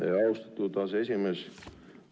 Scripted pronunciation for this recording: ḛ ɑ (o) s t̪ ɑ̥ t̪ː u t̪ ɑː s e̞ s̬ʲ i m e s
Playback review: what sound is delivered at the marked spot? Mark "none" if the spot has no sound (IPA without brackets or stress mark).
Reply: u